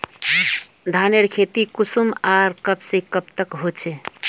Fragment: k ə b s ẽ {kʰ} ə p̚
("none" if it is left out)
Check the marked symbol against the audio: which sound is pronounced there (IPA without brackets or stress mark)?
k